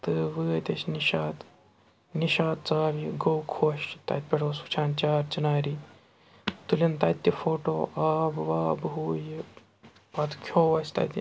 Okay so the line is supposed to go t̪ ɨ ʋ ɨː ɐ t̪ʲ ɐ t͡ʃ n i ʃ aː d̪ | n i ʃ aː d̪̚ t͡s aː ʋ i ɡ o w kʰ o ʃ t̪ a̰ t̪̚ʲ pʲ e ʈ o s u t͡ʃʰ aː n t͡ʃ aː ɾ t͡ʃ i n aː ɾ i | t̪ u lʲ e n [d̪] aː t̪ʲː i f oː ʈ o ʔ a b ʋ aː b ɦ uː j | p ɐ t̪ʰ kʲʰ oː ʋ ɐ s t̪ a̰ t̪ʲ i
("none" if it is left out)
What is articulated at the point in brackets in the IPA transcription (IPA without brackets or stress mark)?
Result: t̪